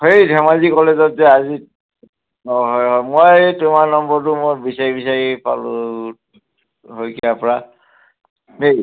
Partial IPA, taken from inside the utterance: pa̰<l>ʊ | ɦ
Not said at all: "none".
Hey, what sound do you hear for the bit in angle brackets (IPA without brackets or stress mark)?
l